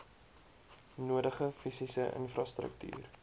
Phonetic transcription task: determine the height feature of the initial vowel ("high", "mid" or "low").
high